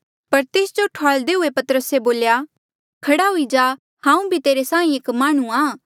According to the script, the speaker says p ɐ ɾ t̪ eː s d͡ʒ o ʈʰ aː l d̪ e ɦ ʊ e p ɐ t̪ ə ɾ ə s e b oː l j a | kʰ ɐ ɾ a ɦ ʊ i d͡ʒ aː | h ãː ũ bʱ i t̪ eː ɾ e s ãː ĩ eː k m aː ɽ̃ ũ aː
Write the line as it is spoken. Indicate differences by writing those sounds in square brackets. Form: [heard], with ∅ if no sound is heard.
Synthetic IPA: p ɐ ɾ t̪ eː s d͡ʒ o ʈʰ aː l d̪ e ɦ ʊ e p ɐ t̪ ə ɾ ə s e b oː l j a | kʰ ɐ [ɽ] a ɦ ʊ i d͡ʒ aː | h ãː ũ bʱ i t̪ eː ɾ e s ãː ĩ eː k m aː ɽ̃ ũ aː